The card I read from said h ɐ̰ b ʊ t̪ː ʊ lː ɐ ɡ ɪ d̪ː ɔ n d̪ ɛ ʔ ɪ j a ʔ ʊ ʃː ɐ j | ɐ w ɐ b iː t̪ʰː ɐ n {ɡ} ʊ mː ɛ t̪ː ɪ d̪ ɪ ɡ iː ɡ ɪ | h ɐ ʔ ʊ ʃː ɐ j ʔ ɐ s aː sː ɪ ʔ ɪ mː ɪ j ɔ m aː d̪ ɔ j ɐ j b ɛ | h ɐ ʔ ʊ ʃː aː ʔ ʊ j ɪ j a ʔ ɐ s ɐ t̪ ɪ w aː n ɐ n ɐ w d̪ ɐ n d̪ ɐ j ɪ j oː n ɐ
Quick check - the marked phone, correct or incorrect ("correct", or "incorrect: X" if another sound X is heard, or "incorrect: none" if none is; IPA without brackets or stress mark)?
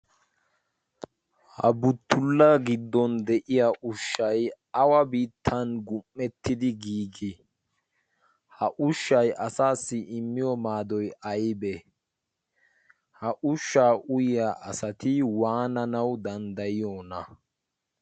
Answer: correct